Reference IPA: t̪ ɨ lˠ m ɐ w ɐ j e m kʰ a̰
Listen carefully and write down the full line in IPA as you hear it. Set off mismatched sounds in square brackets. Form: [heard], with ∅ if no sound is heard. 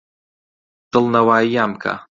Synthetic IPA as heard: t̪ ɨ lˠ [n] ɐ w [a] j [a] m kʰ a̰

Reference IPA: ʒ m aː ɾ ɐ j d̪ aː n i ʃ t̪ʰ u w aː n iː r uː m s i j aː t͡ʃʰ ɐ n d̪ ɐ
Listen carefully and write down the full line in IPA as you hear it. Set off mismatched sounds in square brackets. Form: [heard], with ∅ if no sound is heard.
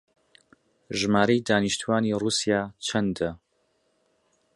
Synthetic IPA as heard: ʒ m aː ɾ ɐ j d̪ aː n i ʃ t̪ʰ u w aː n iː r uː [∅] s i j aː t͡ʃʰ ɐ n d̪ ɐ

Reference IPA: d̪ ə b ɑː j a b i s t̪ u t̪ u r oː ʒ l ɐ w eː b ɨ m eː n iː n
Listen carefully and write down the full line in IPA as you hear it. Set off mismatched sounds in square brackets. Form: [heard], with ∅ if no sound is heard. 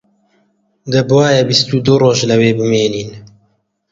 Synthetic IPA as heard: d̪ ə b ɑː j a b i s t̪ u [d̪] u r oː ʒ l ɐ w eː b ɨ m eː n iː n

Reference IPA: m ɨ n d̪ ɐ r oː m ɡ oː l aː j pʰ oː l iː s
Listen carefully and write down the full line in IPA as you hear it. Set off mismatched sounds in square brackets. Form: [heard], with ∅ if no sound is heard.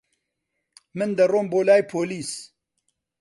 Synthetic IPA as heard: m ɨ n d̪ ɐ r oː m [b] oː l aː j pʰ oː l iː s

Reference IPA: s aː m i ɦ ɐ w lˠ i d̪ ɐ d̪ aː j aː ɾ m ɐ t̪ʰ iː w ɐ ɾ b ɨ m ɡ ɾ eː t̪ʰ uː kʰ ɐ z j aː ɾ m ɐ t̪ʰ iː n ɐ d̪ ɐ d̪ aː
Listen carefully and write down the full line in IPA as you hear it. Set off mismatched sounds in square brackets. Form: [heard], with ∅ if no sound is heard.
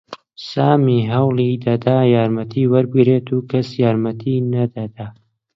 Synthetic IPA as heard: s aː m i ɦ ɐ w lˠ i d̪ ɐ d̪ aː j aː ɾ m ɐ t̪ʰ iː w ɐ ɾ b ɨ [∅] ɡ ɾ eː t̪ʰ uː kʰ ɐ [s] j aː ɾ m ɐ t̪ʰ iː n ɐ d̪ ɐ d̪ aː

